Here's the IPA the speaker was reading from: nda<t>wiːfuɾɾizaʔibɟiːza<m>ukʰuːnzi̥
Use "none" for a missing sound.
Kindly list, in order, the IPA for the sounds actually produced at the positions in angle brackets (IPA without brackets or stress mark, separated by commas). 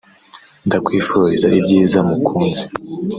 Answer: k, m